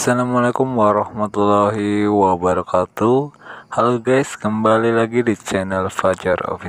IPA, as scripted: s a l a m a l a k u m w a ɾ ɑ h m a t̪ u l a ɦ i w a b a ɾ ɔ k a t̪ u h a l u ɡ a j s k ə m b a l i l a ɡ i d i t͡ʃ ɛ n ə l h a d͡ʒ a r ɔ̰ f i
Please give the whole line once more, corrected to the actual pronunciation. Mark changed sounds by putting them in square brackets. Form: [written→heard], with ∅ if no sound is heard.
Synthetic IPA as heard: s a l a m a l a k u m w a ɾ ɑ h m a t̪ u l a ɦ i w a b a ɾ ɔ k a t̪ u h a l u ɡ a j s k ə m b a l i l a ɡ i d i t͡ʃ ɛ n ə l [h→f] a d͡ʒ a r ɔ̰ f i